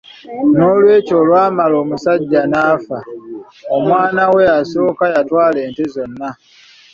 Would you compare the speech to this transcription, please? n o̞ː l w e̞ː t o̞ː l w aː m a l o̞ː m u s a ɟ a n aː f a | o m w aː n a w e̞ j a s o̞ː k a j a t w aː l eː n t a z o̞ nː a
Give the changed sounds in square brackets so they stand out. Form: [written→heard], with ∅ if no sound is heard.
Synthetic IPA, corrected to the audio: n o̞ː l w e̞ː [t→c] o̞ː l w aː m a l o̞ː m u s a [ɟ→ɟː] a n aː f a | o m w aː n a w e̞ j a s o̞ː k a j a t w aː l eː n t [a→e] z o̞ nː a

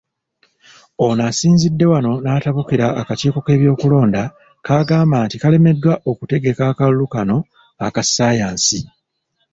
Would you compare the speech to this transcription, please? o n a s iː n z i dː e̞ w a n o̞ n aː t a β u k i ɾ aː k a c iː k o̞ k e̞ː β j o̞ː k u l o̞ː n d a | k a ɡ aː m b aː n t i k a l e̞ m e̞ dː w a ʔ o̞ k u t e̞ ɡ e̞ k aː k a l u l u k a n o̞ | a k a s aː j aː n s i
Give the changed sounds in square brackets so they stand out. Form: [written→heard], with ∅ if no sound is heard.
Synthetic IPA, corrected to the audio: o n a s iː n z i dː e̞ w a n o̞ n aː t a β u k i ɾ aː k a c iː k o̞ k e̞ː β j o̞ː k u l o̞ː n d a | k a ɡ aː m b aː n t i k a l e̞ m e̞ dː w a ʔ o̞ k u t e̞ ɡ e̞ k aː k a l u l u k a n o̞ | a k a s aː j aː n s i

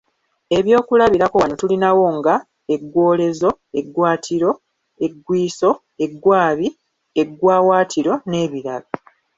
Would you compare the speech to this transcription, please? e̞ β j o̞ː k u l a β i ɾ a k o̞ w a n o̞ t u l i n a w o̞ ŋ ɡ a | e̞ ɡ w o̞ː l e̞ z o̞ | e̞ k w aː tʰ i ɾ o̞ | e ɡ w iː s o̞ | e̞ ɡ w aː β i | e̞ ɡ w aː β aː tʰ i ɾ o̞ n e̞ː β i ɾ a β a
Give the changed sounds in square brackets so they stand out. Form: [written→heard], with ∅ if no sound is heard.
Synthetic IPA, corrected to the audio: e̞ β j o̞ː k u l a β i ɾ a k o̞ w a n o̞ t u l i n a w o̞ ŋ ɡ a | e̞ ɡ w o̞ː l e̞ z o̞ | e̞ [k→ɡ] w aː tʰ i ɾ o̞ | e ɡ w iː s o̞ | e̞ ɡ w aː β i | e̞ ɡ w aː [β→w] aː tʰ i ɾ o̞ n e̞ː β i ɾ a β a

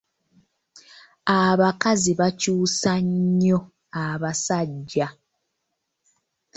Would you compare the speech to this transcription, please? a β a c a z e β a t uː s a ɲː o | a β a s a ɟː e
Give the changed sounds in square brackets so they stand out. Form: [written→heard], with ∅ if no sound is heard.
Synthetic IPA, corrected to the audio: a β a [c→k] a z [e→i] β a [t→c] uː s a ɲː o | a β a s a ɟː [e→a]

